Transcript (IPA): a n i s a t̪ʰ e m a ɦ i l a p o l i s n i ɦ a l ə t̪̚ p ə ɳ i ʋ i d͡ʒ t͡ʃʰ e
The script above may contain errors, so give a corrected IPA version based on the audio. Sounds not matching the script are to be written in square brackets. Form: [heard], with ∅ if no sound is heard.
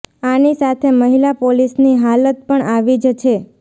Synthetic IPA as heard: a n i s a t̪ʰ e m [ə] ɦ i l a p o l i s n i ɦ a l ə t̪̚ p ə ɳ [a] ʋ i d͡ʒ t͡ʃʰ e